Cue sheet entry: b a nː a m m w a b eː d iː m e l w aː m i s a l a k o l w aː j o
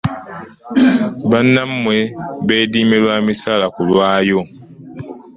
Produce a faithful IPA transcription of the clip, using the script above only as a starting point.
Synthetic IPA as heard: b a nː a m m w e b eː d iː m e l w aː m i s a l a k u l w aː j o

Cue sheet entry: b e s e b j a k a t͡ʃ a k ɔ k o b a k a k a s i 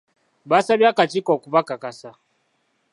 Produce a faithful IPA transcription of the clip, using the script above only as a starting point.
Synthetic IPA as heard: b a s a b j a k a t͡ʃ i k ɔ k u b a k a k a s a

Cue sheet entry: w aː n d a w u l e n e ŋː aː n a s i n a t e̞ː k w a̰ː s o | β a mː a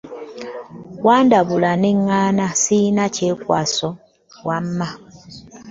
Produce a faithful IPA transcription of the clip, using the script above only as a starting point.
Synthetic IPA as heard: w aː n d a β u l a n e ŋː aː n a s i n a c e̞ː k w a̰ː s o | w a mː a

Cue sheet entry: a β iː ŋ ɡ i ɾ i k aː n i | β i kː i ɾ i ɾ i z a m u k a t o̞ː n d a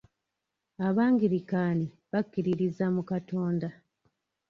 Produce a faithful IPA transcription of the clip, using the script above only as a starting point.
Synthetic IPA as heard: a β aː ŋ ɡ i ɾ i k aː n i | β a kː i ɾ i ɾ i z a m u k a t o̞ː n d a

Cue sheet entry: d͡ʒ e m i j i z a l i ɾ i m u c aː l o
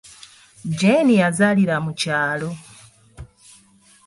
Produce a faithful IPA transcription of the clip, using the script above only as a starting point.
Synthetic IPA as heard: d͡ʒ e n i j a z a l i ɾ a m u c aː l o

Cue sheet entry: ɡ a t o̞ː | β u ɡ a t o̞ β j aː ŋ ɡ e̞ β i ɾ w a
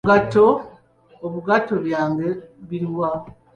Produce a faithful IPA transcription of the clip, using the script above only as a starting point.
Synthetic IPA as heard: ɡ a t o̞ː | β u ɡ a t o̞ β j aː ŋ ɡ e̞ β i ɾ w a

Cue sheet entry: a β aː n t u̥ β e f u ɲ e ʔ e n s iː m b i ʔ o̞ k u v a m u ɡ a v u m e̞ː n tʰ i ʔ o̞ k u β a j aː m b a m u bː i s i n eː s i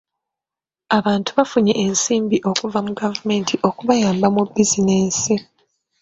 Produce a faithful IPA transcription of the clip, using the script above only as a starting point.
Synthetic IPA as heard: a β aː n t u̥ β a f u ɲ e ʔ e n s iː m b i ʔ o̞ k u v a m u ɡ a v u m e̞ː n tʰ i ʔ o̞ k u β a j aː m b a m u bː i z i n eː s i

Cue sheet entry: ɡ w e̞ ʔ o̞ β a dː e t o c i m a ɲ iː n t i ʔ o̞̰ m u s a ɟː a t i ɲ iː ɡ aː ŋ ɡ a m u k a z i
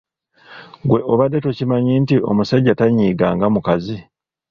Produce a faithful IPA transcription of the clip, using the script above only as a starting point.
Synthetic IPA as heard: ɡ w e̞ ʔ o̞ β a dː e t o c i m a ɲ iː n t i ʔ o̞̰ m u s a ɟː a t a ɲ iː ɡ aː ŋ ɡ a m u k a z i

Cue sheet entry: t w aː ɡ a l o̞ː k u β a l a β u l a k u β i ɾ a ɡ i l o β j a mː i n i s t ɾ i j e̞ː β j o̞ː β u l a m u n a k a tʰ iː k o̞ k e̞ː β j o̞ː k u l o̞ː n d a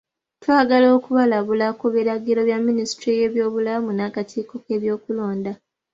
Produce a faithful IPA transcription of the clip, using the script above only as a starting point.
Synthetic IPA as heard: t w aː ɡ a l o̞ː k u β a l a β u l a k u β i ɾ a ɡ i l o β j a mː i n i s t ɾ i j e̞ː β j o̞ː β u l a m u n a k a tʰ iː k o̞ k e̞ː β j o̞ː k u l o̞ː n d a

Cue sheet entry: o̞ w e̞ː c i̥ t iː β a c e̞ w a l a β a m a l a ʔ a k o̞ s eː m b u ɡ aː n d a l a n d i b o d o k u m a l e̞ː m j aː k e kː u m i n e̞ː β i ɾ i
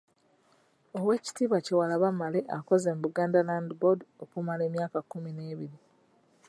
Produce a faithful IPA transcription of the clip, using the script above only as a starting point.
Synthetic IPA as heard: o̞ w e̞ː c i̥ t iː β a c e̞ w a l a β a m a l e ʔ a k o̞ z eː m b u ɡ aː n d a l a n d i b o d o k u m a l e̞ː m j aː k a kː u m i n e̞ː β i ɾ i

